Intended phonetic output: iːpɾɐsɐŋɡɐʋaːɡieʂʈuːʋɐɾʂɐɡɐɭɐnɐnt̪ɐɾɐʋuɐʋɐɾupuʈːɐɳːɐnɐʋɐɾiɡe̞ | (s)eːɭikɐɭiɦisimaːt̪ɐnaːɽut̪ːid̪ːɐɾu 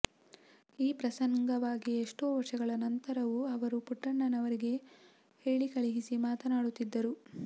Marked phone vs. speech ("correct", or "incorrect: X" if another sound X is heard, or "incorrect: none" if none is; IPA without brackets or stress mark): incorrect: h